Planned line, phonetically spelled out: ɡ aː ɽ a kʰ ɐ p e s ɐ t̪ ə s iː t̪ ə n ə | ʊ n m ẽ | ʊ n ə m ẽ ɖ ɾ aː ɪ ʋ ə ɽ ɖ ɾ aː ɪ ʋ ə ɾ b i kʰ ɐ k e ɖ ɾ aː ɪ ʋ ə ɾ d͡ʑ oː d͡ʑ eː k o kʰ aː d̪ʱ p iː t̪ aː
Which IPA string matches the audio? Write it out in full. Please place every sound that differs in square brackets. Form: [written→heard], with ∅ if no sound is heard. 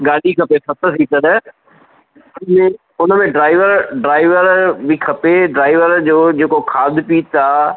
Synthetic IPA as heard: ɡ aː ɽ [a→i] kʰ ɐ p e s ɐ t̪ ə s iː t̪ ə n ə | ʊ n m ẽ | ʊ n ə m ẽ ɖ ɾ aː ɪ ʋ ə [ɽ→ɾ] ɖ ɾ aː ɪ ʋ ə ɾ b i kʰ ɐ [k→p] e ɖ ɾ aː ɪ ʋ ə ɾ d͡ʑ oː d͡ʑ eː k o kʰ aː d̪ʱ p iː t̪ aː